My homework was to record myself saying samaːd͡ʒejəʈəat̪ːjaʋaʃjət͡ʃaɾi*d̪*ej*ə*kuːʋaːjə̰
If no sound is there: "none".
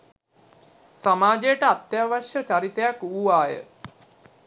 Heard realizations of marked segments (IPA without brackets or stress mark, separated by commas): t̪, a